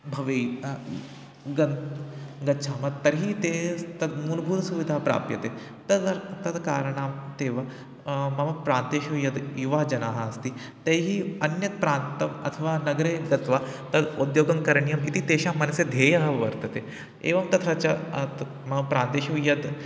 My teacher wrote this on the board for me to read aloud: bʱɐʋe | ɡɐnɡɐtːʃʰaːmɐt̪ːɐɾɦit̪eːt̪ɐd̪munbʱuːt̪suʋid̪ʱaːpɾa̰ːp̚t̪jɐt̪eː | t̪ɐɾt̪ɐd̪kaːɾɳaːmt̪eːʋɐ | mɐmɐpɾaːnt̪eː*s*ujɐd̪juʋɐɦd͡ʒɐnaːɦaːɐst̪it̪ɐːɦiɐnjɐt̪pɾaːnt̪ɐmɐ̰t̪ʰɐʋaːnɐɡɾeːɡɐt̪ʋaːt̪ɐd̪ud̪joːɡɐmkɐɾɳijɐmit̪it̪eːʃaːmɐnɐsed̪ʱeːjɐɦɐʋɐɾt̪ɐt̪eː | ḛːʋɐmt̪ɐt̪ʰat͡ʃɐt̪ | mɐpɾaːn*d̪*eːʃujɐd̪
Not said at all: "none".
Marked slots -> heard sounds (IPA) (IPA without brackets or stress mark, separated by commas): ʃ, t̪